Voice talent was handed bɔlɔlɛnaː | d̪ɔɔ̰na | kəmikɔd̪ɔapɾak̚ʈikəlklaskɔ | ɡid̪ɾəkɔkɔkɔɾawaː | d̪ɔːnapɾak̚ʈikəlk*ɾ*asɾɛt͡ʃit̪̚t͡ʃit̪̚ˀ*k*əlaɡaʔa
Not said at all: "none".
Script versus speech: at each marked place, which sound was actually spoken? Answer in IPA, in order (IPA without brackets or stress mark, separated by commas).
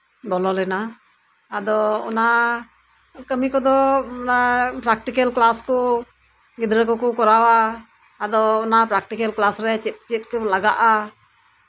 l, k